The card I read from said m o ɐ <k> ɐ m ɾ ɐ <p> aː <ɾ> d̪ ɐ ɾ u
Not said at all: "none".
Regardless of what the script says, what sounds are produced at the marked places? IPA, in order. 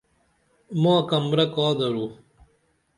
k, k, none

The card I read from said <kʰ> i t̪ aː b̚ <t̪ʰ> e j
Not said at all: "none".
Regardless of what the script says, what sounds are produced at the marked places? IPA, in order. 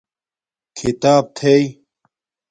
kʰ, t̪ʰ

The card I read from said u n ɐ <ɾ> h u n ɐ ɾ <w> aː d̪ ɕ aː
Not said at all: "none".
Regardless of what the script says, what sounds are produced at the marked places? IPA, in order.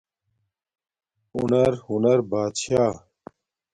ɾ, b

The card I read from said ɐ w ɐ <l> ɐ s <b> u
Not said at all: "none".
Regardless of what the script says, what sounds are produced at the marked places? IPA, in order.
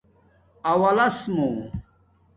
l, m

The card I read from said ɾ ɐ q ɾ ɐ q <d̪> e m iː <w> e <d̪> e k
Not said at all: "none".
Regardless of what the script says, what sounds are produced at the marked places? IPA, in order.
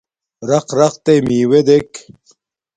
t̪, w, d̪

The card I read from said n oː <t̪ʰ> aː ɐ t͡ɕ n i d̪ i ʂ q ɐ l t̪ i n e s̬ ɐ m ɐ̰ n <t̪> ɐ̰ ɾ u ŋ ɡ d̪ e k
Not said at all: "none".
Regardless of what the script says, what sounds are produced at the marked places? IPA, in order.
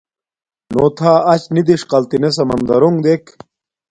t̪ʰ, d̪

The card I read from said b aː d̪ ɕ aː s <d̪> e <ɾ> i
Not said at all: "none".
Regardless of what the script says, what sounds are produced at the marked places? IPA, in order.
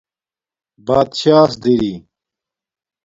d̪, ɾ

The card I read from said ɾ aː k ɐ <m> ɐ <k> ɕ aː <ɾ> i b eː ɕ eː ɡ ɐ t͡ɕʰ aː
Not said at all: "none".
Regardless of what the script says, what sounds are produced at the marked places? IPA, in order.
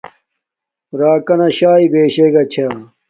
n, none, none

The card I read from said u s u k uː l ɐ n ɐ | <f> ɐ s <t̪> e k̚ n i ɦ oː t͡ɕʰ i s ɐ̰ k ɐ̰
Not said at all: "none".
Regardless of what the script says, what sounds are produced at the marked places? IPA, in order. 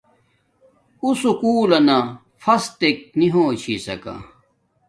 f, t̪

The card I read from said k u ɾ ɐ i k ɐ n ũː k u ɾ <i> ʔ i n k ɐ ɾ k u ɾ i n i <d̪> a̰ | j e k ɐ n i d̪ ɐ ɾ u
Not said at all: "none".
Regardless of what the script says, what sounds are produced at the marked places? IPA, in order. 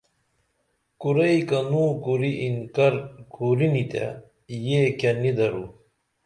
i, t̪

